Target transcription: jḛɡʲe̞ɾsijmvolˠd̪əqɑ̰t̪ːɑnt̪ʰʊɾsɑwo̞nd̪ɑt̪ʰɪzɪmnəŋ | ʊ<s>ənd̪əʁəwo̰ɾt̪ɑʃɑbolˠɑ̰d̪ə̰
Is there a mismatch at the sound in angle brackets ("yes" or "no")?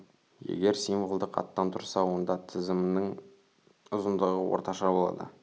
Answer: yes